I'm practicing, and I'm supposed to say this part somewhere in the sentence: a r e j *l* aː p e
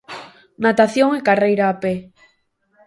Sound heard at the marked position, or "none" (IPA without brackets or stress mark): ɾ